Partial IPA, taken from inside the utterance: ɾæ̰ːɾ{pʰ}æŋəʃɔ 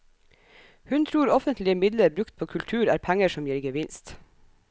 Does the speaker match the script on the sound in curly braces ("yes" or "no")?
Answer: yes